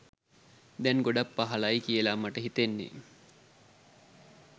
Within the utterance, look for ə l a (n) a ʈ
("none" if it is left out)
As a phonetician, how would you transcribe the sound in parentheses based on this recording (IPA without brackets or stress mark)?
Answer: m